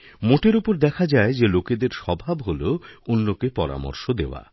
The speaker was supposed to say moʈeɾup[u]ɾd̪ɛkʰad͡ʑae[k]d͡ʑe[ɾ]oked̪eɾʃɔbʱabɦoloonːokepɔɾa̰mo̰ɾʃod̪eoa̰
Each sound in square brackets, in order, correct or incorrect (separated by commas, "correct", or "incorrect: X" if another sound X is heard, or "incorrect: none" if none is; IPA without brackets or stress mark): incorrect: o, incorrect: none, incorrect: l